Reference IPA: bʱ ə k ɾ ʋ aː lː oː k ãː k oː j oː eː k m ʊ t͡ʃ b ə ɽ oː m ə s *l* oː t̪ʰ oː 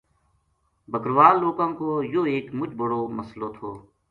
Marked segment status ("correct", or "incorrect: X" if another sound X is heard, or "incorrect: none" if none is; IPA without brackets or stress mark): correct